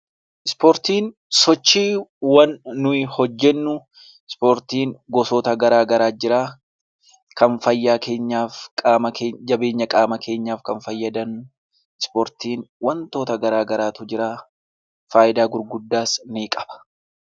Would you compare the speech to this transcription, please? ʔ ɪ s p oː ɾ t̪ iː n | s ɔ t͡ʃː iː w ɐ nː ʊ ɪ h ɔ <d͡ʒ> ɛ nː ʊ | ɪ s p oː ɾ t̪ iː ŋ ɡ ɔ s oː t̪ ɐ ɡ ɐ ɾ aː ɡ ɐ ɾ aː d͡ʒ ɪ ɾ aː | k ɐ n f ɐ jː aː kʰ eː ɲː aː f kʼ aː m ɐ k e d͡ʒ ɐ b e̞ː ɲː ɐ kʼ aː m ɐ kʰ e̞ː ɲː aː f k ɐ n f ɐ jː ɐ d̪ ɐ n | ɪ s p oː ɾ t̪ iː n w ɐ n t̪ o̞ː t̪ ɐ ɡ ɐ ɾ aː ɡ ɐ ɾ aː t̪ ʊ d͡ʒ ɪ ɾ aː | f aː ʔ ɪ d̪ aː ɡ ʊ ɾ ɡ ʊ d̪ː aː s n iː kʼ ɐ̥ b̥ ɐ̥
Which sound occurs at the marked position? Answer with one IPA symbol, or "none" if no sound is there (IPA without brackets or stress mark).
d͡ʒː